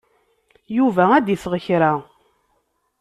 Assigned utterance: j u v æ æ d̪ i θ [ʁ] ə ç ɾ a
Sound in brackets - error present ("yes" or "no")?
no